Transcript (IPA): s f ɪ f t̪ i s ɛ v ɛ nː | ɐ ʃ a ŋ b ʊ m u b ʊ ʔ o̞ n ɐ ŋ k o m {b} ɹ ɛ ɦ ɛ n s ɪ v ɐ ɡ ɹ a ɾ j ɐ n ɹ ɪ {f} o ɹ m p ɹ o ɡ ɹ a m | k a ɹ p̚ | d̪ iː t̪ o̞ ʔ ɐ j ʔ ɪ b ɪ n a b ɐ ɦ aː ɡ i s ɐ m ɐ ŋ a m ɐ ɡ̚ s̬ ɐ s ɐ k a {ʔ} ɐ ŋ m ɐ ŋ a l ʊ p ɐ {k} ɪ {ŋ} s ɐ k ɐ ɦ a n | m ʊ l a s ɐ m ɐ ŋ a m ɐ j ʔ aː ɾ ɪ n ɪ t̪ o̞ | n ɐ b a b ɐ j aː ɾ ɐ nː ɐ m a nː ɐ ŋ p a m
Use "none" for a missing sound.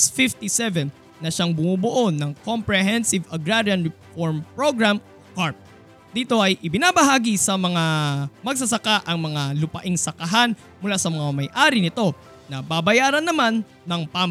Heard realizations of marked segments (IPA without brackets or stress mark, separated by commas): p, f, ʔ, ʔ, ŋ